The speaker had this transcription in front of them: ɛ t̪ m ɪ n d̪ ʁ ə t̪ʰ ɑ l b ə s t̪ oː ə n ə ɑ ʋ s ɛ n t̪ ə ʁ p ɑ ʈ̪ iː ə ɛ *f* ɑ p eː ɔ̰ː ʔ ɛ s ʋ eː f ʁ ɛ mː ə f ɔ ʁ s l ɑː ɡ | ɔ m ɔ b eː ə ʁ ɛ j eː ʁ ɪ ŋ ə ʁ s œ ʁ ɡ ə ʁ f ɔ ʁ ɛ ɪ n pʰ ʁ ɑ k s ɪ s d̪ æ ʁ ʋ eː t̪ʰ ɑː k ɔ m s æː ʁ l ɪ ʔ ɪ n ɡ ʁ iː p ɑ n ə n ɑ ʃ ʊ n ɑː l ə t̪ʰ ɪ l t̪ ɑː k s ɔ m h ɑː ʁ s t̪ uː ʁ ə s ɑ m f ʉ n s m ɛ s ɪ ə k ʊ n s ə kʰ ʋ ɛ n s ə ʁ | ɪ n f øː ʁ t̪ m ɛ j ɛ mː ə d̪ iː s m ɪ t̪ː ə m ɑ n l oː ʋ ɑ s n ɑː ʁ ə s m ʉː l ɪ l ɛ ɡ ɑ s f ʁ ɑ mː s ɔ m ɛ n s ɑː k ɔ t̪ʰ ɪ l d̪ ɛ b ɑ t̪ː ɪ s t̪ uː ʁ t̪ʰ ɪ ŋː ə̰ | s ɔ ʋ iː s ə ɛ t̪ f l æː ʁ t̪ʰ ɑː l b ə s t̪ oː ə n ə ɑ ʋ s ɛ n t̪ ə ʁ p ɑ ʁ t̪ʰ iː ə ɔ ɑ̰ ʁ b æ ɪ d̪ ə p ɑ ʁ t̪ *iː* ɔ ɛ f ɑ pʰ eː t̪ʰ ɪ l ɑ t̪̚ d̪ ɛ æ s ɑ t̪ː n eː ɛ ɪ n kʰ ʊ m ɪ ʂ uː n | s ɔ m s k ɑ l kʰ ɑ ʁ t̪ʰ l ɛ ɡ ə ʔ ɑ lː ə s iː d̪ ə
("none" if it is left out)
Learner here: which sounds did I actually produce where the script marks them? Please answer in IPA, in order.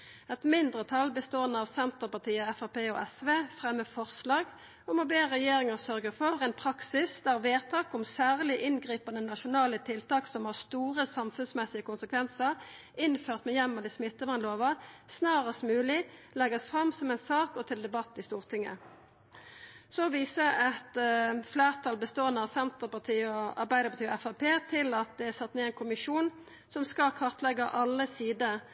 f, iː

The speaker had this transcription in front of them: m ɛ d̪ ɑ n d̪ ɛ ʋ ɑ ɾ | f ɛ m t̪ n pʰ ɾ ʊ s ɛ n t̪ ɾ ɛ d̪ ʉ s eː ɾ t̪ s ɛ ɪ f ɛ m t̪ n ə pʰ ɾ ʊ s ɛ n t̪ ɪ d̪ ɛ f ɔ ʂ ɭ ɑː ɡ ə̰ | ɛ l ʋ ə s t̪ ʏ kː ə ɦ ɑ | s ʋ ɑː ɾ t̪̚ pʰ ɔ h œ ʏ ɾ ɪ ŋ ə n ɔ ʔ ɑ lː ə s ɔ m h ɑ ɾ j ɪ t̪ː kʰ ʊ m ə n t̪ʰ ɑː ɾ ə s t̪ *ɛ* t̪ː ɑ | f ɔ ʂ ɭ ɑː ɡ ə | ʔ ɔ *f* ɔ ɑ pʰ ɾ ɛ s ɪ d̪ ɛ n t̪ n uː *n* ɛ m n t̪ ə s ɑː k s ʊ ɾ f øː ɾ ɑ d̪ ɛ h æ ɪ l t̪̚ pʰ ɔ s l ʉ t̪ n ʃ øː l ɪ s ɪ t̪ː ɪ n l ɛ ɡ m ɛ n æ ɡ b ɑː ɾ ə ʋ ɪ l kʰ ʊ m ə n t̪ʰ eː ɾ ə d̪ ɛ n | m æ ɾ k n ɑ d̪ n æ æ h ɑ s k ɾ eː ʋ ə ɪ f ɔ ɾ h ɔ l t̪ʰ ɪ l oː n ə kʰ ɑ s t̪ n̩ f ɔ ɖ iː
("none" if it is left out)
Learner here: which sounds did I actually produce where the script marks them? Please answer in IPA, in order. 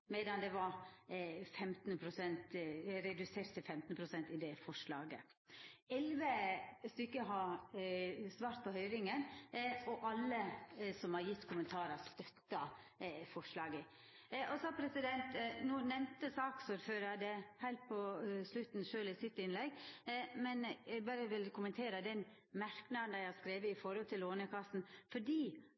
œ, s, n

